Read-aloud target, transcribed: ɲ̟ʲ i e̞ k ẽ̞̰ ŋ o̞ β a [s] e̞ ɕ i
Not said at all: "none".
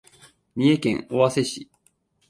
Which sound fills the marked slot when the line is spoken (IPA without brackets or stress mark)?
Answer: s